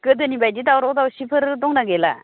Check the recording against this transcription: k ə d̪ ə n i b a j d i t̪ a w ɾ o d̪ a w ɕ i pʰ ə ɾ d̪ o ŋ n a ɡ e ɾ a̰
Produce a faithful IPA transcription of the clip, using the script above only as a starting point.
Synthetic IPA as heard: k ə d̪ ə n i b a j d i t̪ a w ɾ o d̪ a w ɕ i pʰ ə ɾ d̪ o ŋ n a ɡ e l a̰